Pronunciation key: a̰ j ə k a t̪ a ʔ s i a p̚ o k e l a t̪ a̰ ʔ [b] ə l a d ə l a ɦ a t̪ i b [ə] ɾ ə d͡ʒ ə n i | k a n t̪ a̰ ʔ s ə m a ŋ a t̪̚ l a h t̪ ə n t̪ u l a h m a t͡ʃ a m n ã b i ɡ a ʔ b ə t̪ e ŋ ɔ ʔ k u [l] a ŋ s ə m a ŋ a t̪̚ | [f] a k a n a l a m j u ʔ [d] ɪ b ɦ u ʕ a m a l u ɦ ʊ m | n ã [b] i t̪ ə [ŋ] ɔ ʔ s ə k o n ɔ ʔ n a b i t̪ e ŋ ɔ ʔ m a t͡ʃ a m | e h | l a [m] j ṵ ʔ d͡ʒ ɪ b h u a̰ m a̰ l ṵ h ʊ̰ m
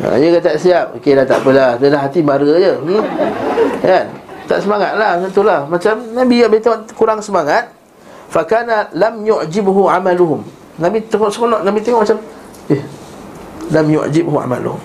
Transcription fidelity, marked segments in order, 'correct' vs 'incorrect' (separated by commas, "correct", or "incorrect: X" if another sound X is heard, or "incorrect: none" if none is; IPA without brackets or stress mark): incorrect: p, incorrect: a, incorrect: ɾ, correct, incorrect: d͡ʒ, correct, correct, correct